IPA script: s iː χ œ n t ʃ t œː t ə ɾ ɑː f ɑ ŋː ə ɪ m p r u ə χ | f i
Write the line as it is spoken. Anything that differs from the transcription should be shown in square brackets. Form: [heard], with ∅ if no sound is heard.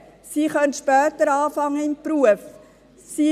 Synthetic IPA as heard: s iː χ œ n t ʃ [p] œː t ə ɾ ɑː f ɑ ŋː ə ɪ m p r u ə [f] | [s] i